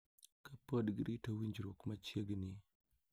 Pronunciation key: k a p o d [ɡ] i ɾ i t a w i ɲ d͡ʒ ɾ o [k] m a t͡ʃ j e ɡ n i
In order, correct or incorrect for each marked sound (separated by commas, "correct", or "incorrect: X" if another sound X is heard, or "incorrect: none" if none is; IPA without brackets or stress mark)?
correct, correct